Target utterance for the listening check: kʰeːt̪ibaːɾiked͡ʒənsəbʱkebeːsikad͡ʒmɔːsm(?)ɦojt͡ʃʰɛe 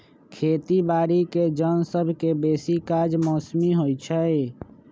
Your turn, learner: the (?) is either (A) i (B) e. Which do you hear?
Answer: A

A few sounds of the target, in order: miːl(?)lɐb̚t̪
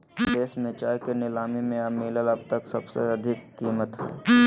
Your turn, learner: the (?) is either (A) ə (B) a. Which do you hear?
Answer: A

